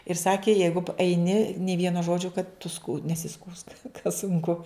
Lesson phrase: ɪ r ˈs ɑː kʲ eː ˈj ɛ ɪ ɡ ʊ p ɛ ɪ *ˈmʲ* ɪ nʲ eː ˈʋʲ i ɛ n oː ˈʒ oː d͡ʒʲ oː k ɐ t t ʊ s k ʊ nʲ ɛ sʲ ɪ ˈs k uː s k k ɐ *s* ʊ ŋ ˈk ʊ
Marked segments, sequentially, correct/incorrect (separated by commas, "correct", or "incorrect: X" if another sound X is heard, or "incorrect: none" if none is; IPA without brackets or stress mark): incorrect: nʲ, correct